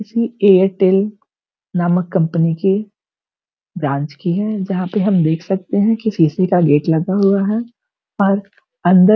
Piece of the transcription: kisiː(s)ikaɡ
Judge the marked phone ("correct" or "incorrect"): correct